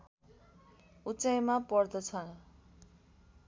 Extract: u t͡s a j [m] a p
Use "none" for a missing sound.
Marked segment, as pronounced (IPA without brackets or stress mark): m